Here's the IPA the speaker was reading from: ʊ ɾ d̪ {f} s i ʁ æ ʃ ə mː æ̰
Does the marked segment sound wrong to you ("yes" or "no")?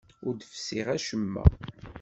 no